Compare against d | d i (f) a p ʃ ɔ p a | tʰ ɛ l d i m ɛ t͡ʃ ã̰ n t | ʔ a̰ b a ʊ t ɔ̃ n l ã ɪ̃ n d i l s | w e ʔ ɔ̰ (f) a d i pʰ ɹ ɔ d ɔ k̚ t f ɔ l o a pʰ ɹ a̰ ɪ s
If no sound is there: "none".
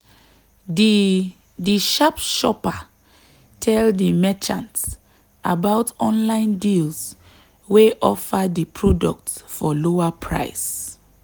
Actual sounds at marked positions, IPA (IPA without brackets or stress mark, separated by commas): ʃ, f